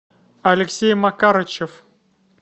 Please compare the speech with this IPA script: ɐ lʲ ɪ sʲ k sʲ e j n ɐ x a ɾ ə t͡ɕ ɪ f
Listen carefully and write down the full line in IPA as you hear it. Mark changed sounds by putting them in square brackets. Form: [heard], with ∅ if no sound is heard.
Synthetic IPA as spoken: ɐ lʲ ɪ [∅] k sʲ e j [m] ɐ [k] a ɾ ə t͡ɕ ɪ f

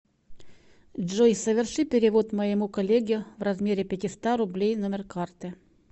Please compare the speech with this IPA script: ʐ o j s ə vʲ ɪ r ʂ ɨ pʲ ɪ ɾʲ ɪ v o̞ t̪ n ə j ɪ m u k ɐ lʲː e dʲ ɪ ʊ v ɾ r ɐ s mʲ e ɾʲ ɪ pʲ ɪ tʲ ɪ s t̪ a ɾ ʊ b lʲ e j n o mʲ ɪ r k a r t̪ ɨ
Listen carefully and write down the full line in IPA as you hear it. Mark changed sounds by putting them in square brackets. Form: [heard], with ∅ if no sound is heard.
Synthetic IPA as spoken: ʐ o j s ə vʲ ɪ r ʂ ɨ pʲ ɪ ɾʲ ɪ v o̞ t̪ [m] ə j ɪ m u k ɐ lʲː e [ɡʲ] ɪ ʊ v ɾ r ɐ [z] mʲ e ɾʲ ɪ pʲ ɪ tʲ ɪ s t̪ a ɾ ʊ b lʲ e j n o mʲ ɪ r k a r t̪ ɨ

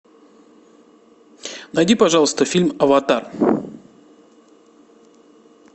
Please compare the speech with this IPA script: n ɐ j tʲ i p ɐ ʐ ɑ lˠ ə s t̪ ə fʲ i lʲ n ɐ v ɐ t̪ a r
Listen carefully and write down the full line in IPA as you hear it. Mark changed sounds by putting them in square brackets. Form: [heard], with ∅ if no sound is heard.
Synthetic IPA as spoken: n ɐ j [dʲ] i p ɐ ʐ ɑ lˠ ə s t̪ ə fʲ i lʲ [m] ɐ v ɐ t̪ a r

